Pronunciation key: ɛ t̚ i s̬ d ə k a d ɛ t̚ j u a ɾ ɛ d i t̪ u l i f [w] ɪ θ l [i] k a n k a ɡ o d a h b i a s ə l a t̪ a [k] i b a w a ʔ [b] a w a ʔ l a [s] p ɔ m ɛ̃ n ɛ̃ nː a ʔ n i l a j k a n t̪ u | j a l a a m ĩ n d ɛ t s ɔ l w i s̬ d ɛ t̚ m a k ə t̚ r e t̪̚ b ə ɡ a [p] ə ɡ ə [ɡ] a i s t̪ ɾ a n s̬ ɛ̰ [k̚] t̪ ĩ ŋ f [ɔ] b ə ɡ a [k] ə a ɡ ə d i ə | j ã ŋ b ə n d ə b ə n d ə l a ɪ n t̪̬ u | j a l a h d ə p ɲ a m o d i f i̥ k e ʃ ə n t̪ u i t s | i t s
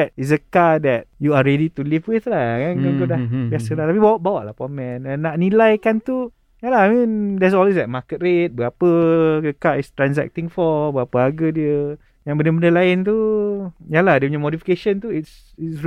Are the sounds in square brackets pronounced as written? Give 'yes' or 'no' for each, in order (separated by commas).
yes, no, no, yes, no, yes, no, yes, yes, no